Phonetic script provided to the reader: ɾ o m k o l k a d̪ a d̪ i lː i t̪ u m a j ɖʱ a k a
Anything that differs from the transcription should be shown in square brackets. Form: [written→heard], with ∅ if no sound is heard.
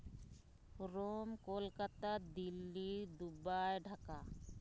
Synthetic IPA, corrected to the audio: ɾ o m k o l k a [d̪→t̪] a d̪ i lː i [t̪→d̪] u [m→b] a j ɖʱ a k a